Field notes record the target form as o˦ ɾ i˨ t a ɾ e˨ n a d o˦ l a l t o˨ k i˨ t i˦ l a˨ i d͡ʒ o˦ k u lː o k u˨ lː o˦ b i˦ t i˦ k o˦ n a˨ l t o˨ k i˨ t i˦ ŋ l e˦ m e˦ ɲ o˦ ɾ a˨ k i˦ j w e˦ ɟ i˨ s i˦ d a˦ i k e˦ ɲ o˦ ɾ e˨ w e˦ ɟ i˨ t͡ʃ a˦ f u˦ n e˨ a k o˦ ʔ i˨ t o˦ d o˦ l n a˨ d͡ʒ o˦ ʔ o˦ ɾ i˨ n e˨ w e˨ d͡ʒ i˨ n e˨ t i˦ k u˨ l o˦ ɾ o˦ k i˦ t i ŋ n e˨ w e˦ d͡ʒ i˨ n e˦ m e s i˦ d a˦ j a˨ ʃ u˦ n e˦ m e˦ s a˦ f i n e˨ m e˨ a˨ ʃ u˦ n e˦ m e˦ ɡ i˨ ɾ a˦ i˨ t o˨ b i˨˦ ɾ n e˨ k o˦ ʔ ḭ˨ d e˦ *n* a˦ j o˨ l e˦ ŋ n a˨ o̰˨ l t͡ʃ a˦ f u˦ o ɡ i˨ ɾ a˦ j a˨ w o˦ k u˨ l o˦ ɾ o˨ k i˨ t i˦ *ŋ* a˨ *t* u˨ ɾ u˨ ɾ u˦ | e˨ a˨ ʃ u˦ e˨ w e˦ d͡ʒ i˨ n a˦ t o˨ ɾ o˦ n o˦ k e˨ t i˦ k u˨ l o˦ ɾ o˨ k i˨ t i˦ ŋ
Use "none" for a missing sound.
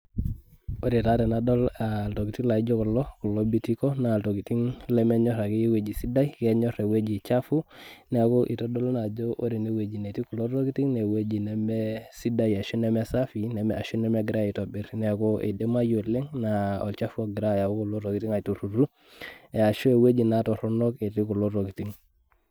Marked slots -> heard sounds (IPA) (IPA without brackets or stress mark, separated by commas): m, ŋ, t